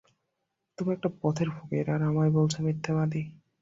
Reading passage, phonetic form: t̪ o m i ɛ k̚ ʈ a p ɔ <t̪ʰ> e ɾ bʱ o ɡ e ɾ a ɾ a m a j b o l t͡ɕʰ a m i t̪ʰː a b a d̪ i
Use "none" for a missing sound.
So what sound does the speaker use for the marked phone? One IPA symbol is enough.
t̪ʰ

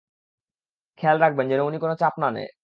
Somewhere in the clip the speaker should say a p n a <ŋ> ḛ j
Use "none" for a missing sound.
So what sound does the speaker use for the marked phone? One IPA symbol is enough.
n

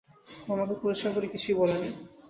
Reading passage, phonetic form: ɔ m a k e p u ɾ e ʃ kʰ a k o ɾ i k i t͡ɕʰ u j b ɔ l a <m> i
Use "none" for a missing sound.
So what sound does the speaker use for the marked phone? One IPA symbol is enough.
n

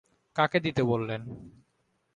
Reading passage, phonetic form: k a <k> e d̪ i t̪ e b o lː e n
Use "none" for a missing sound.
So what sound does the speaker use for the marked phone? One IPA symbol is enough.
k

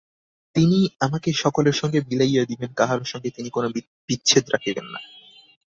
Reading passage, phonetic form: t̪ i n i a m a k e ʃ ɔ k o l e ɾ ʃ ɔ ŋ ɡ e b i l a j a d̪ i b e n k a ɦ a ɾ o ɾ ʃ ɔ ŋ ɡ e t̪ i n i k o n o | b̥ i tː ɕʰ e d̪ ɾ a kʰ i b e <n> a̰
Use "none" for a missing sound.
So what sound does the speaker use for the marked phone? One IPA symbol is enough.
nː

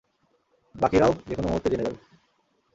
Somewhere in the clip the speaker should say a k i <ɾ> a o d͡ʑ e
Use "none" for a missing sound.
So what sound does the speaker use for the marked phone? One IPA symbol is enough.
ɾ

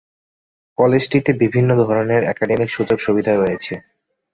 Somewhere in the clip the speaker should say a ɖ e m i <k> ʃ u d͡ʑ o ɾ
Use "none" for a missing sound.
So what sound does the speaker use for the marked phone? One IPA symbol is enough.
k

